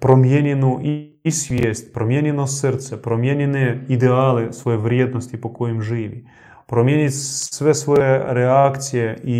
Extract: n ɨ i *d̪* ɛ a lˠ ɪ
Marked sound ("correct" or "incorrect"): correct